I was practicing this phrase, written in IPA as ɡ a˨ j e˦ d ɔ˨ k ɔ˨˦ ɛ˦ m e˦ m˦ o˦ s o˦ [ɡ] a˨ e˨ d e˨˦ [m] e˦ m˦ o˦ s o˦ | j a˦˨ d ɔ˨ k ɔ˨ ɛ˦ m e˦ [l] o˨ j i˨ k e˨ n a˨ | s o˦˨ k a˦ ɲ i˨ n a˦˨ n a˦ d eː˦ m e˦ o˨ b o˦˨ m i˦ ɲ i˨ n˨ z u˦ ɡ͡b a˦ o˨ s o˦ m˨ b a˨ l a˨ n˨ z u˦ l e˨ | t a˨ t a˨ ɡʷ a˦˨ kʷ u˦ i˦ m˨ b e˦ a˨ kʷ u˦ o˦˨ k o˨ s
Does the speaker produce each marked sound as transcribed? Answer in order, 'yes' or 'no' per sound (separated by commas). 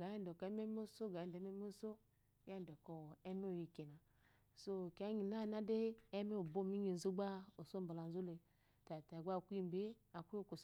yes, yes, no